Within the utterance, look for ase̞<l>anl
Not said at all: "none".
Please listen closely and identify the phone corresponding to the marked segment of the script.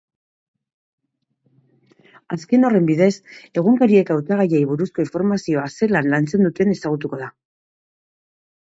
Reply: l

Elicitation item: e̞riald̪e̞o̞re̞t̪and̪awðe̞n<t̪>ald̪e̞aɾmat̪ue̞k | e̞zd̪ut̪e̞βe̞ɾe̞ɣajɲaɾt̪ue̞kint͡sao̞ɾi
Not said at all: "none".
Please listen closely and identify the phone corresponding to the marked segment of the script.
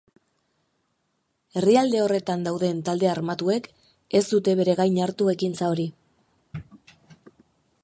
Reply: t̪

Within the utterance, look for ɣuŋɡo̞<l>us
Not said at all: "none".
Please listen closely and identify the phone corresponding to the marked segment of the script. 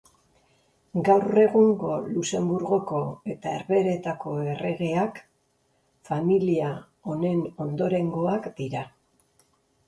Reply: l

